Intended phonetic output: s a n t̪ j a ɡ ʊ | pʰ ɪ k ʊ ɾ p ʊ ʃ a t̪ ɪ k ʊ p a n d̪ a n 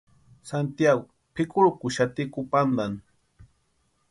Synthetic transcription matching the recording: s a n t̪ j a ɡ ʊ | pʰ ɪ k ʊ ɾ k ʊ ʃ a t̪ ɪ k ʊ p a n d̪ a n